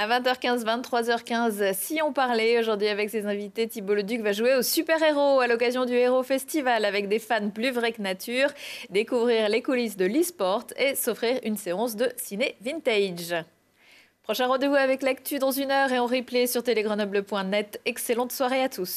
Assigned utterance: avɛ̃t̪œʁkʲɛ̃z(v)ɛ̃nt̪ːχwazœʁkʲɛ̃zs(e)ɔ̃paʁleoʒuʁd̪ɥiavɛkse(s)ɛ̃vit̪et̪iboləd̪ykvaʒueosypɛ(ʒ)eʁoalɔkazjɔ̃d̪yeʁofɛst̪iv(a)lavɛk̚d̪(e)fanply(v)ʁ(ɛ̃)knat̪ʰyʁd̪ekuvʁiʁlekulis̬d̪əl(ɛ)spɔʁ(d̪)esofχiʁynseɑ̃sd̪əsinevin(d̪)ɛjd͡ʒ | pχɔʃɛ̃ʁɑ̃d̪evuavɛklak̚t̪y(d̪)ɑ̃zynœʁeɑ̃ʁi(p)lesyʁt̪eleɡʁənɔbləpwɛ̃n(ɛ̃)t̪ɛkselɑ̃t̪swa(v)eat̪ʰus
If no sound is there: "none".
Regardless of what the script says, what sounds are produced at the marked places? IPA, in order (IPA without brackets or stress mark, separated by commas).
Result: v, i, z, ʁ, a, e, v, ɛ, i, t̪, t̪, d̪, p, ɛ, ʁ